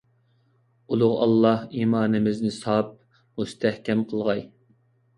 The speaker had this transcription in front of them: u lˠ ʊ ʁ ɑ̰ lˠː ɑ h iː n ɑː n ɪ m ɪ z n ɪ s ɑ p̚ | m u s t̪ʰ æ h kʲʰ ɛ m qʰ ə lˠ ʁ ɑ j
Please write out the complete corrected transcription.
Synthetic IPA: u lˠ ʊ ʁ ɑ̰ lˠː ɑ h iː m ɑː n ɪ m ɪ z n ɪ s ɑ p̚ | m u s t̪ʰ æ h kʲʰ ɛ m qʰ ə lˠ ʁ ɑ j